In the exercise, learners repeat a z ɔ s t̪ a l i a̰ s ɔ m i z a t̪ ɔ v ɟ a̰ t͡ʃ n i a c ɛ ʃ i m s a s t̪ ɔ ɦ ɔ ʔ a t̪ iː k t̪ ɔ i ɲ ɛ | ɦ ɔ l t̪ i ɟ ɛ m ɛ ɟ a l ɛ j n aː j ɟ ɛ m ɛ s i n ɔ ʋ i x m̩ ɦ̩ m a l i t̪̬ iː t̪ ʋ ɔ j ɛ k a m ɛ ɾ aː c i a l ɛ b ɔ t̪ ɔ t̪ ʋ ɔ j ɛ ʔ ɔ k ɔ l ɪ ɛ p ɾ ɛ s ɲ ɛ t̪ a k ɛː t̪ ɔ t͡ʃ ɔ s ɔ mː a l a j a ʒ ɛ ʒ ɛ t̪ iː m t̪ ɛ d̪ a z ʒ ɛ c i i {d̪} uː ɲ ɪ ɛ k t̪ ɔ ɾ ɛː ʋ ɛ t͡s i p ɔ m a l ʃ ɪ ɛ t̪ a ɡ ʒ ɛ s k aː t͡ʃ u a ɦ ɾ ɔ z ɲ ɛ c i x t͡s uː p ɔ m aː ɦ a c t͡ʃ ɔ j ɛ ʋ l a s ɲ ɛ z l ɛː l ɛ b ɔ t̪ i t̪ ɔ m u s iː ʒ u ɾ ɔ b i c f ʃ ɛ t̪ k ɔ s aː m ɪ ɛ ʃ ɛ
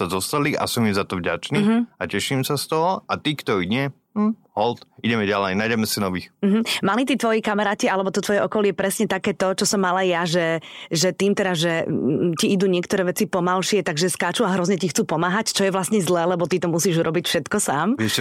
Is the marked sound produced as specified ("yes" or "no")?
yes